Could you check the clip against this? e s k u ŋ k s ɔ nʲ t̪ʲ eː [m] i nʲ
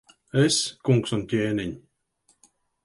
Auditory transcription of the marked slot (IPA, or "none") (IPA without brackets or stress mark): n